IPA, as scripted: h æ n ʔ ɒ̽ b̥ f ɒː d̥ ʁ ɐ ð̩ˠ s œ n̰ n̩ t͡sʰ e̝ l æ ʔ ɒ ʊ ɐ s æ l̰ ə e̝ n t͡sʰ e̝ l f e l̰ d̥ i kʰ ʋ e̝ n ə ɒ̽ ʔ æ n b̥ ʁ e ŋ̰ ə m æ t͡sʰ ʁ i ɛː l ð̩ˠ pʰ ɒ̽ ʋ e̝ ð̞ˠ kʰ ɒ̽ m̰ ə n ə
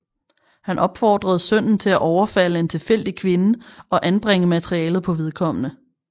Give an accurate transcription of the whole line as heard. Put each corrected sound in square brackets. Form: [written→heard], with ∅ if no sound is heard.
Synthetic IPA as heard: h æ n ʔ ɒ̽ b̥ f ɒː d̥ ʁ ɐ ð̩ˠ s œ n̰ n̩ t͡sʰ e̝ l æ ʔ ɒ ʊ ɐ [s→f] æ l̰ ə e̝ n t͡sʰ e̝ l f e l̰ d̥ i kʰ ʋ e̝ n ə ɒ̽ ʔ æ n b̥ ʁ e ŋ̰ ə m æ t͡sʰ ʁ i ɛː l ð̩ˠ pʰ ɒ̽ ʋ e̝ ð̞ˠ kʰ ɒ̽ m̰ ə n ə